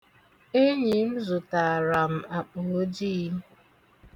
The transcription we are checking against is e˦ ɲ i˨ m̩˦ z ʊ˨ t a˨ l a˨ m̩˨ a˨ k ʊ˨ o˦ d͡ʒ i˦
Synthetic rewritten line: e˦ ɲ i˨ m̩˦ z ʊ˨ t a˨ ɾ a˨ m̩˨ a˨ k͡p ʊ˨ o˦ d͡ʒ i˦